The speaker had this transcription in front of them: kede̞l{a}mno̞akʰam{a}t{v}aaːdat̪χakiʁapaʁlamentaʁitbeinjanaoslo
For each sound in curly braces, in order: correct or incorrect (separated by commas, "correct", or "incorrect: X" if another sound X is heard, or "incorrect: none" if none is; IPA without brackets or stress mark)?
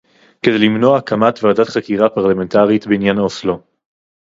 incorrect: i, correct, correct